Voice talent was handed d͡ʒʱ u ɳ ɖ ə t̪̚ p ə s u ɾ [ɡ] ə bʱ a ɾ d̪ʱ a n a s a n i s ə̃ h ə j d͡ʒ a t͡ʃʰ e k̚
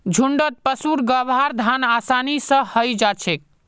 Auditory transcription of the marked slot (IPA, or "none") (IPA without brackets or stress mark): ɡ